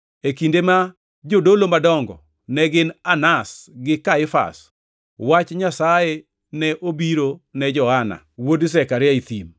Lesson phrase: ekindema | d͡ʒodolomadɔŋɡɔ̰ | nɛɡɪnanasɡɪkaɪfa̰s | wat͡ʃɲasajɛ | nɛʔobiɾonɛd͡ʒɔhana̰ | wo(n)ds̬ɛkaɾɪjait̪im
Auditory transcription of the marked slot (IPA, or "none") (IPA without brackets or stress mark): none